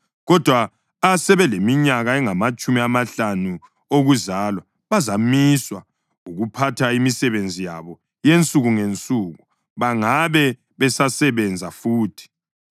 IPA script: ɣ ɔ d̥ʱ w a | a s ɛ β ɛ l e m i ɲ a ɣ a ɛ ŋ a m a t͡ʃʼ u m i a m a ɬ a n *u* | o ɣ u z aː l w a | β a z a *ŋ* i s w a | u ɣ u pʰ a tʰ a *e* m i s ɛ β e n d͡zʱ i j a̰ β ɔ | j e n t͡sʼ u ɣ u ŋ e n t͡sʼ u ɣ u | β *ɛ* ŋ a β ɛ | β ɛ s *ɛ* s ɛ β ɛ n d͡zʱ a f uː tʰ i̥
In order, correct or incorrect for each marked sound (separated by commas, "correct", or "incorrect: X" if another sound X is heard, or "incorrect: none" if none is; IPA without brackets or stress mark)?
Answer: correct, incorrect: m, incorrect: i, incorrect: a, incorrect: a